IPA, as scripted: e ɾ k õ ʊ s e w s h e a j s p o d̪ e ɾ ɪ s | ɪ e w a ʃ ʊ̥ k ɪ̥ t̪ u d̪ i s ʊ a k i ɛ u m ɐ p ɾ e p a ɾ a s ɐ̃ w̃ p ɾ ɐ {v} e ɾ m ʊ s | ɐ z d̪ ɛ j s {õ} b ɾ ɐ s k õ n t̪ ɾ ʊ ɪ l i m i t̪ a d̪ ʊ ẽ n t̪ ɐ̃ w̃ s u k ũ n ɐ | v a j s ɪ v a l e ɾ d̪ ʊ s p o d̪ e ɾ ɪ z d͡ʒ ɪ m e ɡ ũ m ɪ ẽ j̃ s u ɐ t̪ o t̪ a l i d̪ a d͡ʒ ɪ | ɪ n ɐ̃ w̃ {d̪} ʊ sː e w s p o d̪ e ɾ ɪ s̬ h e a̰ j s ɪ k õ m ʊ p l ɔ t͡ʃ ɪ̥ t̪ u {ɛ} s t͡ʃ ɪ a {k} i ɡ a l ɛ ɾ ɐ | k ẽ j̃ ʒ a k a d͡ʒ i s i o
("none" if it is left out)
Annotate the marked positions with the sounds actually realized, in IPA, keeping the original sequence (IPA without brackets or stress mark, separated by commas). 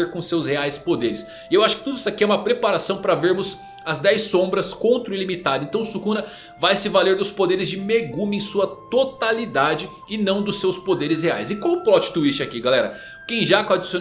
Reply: v, õ, d̪, i, k